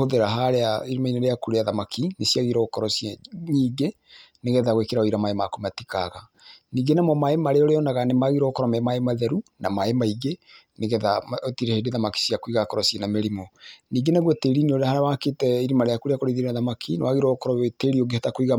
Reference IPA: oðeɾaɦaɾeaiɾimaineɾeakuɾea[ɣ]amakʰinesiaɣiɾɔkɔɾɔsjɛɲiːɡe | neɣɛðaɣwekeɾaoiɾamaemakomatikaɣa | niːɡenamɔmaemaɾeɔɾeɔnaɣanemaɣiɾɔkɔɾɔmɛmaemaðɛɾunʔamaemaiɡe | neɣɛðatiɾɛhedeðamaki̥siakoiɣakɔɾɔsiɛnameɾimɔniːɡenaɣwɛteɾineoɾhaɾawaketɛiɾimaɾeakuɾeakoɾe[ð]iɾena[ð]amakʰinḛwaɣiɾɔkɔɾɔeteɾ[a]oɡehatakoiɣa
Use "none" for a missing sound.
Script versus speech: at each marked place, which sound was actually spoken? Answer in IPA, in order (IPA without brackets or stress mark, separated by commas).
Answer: ð, ð, ð, i